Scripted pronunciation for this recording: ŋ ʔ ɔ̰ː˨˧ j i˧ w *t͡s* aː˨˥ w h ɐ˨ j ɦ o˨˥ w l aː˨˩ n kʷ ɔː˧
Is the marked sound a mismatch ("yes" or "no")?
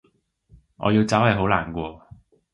no